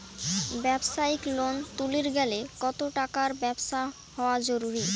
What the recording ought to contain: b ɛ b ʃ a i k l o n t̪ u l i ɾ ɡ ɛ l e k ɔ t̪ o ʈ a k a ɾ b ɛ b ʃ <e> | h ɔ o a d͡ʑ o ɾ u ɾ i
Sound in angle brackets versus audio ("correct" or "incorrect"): incorrect